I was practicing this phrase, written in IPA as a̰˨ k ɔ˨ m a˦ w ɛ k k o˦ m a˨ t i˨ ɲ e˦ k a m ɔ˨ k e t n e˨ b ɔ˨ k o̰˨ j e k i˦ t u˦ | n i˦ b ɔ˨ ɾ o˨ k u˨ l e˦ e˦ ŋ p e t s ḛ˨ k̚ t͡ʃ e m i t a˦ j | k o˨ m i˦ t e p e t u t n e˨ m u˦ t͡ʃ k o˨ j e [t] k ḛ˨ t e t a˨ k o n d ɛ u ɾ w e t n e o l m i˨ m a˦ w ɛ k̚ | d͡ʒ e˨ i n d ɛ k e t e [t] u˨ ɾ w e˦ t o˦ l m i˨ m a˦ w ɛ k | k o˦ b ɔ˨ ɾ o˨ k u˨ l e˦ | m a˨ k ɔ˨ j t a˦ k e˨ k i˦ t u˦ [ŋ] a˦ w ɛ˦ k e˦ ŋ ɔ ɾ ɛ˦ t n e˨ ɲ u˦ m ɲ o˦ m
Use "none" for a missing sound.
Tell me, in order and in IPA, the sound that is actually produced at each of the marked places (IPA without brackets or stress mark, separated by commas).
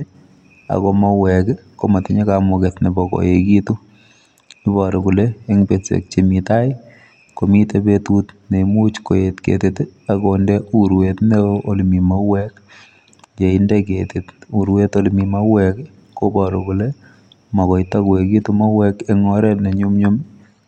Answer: t, t, m